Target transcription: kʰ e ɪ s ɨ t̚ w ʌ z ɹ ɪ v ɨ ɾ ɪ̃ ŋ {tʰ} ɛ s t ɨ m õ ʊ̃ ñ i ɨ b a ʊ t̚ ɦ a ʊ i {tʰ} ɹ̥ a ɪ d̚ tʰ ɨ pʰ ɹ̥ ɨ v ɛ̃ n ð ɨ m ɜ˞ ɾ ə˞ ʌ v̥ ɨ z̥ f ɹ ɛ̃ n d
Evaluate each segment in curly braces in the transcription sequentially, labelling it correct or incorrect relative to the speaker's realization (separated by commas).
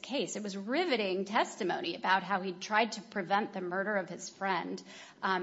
correct, correct